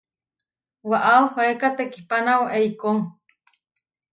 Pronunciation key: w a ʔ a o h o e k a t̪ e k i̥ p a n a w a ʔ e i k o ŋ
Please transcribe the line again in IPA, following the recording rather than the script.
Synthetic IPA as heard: w a ʔ a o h o e k a t̪ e k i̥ p a n a w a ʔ e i k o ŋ